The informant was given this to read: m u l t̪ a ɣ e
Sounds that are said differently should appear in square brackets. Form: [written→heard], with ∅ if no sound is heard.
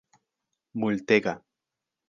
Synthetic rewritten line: m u l t̪ [a→e] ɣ [e→a]